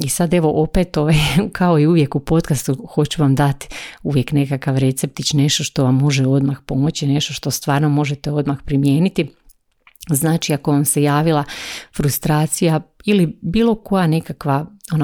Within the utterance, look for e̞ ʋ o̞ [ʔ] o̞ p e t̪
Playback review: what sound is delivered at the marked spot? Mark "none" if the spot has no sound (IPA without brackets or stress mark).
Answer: ʔ